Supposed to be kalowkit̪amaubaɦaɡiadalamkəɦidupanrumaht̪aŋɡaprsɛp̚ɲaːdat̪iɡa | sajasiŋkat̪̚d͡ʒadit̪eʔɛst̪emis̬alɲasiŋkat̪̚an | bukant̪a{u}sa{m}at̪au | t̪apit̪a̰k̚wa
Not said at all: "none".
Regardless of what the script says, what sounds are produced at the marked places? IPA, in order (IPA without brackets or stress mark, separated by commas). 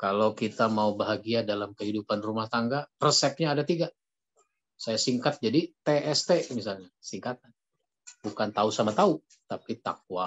u, m